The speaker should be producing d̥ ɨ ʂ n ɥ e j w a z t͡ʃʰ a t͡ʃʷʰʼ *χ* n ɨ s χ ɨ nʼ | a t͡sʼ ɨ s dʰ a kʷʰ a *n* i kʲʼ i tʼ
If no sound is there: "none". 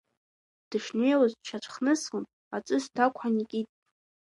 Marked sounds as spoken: χ, n

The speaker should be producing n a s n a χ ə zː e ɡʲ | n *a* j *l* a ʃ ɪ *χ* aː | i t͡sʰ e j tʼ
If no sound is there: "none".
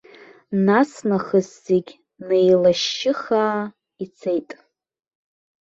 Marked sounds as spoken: e, l, χ

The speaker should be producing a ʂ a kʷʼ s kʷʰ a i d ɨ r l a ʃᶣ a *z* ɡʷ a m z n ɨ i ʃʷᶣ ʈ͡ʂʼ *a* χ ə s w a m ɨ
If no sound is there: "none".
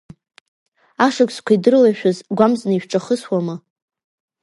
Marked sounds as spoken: z, a

